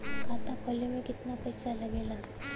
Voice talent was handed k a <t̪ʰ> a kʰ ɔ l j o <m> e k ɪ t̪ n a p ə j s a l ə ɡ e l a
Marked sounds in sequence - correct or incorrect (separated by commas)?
incorrect, correct